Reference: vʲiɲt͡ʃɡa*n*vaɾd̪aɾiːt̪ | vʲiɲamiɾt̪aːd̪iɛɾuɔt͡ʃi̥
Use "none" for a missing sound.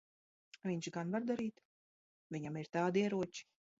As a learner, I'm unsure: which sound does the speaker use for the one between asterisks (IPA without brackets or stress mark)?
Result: n